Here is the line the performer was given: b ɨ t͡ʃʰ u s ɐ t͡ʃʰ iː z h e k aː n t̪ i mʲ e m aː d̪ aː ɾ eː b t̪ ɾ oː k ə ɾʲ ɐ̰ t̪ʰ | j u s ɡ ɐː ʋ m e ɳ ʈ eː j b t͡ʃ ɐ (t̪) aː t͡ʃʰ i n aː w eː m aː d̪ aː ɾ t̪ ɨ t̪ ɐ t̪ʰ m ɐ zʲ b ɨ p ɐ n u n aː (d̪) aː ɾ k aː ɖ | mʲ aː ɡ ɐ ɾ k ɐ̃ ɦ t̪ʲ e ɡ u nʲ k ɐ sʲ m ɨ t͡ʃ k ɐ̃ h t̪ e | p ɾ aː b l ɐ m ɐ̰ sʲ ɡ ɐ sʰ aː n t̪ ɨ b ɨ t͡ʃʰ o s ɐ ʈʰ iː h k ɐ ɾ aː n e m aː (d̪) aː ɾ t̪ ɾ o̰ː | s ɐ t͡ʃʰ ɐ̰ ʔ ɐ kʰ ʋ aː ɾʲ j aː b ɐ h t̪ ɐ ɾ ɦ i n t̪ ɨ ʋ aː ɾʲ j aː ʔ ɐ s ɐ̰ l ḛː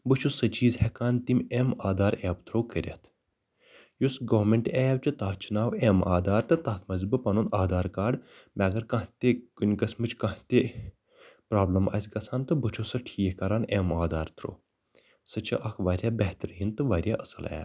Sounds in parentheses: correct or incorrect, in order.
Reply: correct, correct, correct

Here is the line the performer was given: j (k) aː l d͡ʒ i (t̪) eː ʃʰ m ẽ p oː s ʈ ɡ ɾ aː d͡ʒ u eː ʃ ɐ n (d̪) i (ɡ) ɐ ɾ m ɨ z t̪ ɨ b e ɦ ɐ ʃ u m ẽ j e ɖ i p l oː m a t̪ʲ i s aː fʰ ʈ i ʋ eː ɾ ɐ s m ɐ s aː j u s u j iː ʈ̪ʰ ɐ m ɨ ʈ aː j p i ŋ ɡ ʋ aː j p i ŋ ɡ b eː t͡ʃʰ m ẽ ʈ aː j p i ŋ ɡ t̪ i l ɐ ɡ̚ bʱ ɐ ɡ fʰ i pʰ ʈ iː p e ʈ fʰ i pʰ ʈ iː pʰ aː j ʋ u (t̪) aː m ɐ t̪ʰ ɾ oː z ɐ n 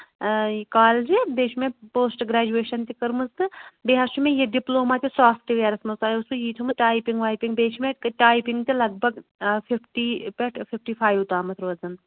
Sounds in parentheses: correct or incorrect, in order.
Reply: correct, incorrect, incorrect, incorrect, correct

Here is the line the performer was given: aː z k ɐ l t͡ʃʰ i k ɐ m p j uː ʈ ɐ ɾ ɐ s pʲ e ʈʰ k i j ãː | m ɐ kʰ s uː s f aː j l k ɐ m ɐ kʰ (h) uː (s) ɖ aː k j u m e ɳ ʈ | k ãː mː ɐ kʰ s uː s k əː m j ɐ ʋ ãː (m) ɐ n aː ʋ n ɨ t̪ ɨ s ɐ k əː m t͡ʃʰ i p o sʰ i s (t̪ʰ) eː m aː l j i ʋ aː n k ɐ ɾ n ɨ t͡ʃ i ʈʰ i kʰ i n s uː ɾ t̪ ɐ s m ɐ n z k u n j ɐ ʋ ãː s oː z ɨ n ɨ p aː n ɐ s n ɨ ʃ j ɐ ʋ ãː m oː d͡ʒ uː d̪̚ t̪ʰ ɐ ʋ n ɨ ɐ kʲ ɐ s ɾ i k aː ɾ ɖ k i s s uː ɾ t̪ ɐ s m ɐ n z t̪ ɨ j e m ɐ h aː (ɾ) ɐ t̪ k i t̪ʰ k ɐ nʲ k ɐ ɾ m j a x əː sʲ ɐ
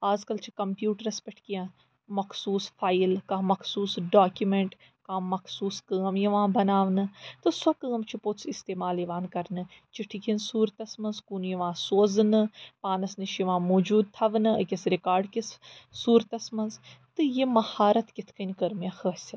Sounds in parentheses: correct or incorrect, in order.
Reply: incorrect, correct, incorrect, incorrect, correct

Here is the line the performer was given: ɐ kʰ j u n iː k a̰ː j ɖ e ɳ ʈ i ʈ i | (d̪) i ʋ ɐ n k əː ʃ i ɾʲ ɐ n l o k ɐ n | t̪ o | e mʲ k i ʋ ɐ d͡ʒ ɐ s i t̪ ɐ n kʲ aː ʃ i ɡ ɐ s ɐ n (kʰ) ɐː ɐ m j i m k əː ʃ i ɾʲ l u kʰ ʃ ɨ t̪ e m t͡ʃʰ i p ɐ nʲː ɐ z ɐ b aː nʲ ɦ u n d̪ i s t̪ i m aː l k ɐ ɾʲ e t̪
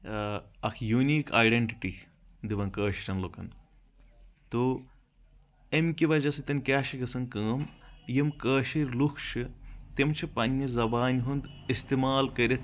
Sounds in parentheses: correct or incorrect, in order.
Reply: correct, incorrect

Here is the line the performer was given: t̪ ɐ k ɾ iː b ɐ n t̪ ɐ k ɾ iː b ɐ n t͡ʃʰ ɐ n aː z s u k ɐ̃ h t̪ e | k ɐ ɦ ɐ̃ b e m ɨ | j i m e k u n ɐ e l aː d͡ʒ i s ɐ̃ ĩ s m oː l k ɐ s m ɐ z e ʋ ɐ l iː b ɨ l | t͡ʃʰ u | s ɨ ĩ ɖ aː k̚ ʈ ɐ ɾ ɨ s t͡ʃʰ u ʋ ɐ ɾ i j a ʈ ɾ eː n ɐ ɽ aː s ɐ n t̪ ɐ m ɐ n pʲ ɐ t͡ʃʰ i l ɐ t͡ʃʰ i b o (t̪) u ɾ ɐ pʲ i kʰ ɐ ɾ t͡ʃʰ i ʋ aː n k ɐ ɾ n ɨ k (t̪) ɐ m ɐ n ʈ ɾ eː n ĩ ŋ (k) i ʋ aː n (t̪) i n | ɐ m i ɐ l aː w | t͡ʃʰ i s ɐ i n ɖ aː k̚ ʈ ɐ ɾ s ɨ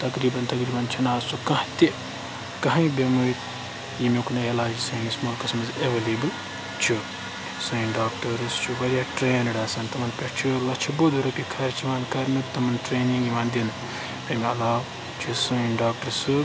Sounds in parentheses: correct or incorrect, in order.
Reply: incorrect, correct, incorrect, incorrect

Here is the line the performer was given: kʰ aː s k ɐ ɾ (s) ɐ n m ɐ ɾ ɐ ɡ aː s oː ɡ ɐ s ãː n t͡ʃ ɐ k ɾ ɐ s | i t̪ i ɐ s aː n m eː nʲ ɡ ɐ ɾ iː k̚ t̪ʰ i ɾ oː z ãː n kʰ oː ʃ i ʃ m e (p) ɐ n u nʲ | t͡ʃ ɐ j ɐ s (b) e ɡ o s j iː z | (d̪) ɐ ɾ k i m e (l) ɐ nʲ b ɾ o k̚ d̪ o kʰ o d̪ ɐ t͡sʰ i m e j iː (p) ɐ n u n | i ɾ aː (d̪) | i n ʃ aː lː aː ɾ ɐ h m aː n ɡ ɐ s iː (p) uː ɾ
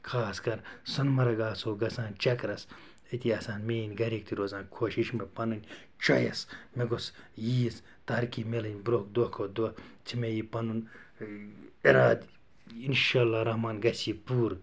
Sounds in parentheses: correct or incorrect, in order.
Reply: correct, correct, incorrect, incorrect, correct, correct, correct, correct

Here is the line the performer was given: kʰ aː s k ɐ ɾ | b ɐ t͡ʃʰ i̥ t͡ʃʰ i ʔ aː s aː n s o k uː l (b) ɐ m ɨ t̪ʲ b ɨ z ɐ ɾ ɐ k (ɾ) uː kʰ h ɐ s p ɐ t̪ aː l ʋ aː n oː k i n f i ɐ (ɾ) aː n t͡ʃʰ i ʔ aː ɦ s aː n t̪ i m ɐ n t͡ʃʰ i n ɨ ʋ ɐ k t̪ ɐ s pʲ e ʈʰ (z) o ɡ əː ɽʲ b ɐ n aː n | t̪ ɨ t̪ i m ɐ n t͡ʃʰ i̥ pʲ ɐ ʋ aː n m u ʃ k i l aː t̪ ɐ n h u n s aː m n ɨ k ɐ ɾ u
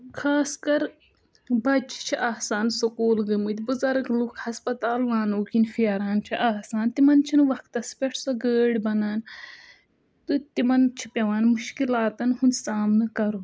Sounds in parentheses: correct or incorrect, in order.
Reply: incorrect, incorrect, correct, incorrect

